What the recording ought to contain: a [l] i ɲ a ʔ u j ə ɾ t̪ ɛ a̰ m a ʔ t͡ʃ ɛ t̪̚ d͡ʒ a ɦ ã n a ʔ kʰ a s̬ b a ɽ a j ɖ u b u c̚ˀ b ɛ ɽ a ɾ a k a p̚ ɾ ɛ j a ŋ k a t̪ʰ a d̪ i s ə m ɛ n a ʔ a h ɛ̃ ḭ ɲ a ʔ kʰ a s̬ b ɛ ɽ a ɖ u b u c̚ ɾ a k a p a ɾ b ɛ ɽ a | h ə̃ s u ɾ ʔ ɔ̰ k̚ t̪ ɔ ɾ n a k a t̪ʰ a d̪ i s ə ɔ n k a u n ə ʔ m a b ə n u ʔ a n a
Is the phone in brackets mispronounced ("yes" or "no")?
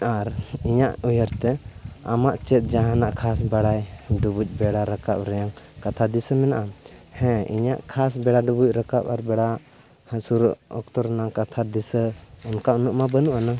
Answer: yes